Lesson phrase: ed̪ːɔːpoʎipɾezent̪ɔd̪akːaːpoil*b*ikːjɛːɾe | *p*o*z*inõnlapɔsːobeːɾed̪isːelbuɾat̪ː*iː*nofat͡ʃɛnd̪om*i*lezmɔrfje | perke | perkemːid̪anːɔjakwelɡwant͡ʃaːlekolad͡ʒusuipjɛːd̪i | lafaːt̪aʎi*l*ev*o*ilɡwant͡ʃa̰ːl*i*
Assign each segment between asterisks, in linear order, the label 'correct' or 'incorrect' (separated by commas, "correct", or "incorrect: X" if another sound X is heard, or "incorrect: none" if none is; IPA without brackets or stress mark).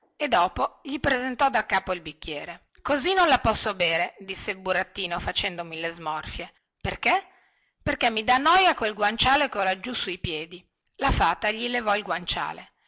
correct, incorrect: k, correct, correct, correct, correct, incorrect: ɔ, incorrect: e